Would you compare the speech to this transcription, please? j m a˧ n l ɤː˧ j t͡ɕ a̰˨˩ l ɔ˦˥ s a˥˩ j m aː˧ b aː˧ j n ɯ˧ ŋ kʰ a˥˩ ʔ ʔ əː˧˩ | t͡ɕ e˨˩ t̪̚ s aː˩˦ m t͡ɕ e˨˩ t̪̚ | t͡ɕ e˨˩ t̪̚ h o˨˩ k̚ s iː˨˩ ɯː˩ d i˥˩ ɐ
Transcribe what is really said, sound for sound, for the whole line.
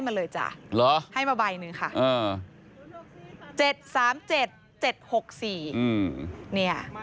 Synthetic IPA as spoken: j m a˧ n l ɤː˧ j t͡ɕ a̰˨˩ l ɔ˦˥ h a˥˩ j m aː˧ b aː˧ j n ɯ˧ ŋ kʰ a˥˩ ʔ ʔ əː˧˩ | t͡ɕ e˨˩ t̪̚ s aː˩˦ m t͡ɕ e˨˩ t̪̚ | t͡ɕ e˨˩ t̪̚ h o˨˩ k̚ s iː˨˩ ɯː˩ n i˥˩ ɐ

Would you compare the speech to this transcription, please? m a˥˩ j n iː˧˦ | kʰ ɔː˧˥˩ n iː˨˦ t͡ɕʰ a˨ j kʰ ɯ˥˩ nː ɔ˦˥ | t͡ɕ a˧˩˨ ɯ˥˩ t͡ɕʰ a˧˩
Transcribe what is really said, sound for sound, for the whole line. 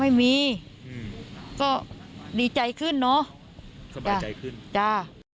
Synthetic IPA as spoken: m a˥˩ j m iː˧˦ | k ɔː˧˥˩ d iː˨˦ t͡ɕ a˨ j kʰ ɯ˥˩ nː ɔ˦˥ | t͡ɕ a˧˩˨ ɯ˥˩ t͡ɕ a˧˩

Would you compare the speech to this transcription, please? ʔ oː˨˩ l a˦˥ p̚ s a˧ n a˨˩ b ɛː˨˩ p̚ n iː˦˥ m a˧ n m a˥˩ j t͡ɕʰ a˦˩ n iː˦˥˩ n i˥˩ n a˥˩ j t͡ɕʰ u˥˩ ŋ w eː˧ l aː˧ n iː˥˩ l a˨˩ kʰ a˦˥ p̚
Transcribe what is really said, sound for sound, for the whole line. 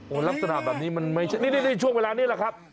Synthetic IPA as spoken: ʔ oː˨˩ l a˦˥ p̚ s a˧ n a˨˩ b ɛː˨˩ p̚ n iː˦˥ m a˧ n m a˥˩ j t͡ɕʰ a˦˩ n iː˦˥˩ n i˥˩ n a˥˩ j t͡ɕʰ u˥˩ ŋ w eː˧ l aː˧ n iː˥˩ l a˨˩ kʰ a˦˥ p̚

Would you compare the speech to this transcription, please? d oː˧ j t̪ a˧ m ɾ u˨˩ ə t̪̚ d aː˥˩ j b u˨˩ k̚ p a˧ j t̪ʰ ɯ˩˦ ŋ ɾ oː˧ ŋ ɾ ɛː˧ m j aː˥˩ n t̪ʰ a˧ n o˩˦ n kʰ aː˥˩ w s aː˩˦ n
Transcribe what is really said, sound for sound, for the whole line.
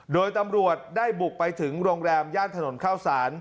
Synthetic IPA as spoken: d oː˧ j t̪ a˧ m ɾ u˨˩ ə t̪̚ d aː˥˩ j b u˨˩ k̚ p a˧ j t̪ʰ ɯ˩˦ ŋ ɾ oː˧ ŋ ɾ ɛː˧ m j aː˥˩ n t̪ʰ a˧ n o˩˦ n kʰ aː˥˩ w s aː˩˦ n

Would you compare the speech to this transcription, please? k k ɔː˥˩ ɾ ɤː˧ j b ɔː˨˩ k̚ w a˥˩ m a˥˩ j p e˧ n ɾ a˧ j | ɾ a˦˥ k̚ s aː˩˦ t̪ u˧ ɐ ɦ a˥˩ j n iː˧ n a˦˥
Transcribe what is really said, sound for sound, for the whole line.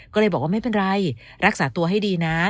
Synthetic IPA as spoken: k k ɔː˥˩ l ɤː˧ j b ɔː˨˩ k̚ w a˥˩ m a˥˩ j p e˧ n ɾ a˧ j | ɾ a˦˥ k̚ s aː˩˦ t̪ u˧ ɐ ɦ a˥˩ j d iː˧ n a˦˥

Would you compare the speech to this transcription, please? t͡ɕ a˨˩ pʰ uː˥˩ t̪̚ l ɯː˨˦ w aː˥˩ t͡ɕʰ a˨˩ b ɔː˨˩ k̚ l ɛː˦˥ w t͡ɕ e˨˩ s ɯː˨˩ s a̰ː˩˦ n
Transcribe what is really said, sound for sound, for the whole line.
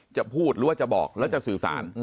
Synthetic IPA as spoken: t͡ɕ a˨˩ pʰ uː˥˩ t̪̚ ɾ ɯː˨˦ w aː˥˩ t͡ɕ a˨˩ b ɔː˨˩ k̚ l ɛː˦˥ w t͡ɕ a˨˩ s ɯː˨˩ s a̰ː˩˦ n

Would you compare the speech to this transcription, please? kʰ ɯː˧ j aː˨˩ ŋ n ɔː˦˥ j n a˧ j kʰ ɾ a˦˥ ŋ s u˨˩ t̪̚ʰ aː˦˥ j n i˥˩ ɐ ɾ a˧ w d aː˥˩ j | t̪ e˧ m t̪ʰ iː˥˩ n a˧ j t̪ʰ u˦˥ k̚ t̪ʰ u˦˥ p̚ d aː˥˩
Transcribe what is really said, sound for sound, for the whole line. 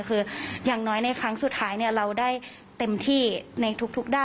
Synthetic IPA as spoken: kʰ ɯː˧ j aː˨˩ ŋ n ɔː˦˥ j n a˧ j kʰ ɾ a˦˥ ŋ s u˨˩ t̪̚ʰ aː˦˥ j n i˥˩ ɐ ɾ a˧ w d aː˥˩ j | t̪ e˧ m t̪ʰ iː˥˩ n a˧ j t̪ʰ u˦˥ k̚ t̪ʰ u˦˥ k̚ d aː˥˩

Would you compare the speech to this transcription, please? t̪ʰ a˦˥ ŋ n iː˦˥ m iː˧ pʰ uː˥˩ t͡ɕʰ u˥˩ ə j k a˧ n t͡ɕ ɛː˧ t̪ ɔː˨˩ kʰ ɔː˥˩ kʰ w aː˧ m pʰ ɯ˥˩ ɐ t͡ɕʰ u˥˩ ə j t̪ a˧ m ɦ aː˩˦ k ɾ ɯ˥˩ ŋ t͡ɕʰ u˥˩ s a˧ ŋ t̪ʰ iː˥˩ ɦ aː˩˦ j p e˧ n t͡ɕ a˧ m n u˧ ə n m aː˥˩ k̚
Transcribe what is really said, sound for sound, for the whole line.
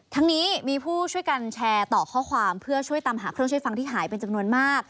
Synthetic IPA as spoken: t̪ʰ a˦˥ ŋ n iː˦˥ m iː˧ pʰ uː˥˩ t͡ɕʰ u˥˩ ə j k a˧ n t͡ɕʰ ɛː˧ t̪ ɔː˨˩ kʰ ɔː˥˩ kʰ w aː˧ m pʰ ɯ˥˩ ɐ t͡ɕʰ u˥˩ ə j t̪ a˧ m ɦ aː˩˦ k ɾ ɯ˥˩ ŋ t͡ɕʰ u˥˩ f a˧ ŋ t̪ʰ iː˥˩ ɦ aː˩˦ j p e˧ n t͡ɕ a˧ m n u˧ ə n m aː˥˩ k̚

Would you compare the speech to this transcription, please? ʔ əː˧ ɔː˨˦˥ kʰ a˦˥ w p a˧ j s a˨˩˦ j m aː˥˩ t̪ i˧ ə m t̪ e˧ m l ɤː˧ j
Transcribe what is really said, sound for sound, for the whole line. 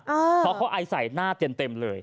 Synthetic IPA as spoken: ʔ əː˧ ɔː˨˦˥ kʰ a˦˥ w ʔ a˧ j s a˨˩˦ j n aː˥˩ t̪ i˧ ə m t̪ e˧ m l ɤː˧ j

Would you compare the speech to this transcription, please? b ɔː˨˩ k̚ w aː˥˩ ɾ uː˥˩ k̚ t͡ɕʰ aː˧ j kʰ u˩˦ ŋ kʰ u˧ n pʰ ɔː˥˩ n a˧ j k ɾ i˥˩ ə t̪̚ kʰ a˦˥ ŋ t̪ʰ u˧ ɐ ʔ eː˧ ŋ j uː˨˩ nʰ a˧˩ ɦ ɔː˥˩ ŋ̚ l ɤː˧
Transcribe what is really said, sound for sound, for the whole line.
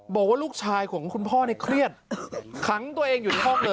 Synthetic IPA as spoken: b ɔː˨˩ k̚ w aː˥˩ l uː˥˩ k̚ t͡ɕʰ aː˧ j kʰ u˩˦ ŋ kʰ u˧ n pʰ ɔː˥˩ n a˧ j kʰ ɾ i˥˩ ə t̪̚ kʰ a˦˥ ŋ t̪ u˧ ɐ ʔ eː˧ ŋ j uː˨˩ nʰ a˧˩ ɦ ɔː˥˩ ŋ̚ l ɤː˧

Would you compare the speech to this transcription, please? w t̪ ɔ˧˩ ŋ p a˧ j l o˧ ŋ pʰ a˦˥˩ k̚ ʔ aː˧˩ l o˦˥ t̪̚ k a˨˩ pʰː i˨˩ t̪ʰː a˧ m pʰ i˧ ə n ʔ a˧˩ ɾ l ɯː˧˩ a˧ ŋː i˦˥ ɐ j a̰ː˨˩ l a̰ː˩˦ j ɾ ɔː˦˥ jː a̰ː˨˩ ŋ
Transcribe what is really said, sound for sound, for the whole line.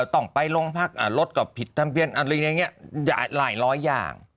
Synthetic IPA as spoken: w t̪ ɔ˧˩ ŋ p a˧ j l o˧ ŋ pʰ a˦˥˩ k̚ ʔ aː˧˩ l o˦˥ t̪̚ k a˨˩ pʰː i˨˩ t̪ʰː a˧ m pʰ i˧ ə n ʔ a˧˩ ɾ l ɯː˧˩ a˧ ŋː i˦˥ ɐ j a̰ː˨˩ l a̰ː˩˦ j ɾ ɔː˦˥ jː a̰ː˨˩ ŋ

